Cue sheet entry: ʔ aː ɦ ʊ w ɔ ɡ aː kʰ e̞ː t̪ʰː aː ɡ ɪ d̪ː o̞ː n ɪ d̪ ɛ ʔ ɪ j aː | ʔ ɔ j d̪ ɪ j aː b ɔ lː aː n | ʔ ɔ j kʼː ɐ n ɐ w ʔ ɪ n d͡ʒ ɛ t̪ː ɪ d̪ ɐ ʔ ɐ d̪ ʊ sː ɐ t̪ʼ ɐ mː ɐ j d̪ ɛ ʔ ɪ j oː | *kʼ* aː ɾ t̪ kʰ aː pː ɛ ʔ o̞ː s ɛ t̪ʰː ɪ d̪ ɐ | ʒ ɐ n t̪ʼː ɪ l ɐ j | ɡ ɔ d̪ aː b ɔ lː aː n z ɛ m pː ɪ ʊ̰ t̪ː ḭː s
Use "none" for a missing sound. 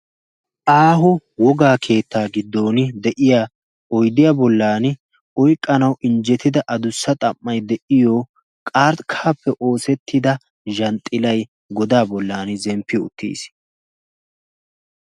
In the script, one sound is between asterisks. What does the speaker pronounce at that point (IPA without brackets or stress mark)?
kʼ